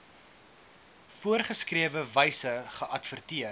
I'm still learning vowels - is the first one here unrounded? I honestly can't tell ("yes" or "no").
no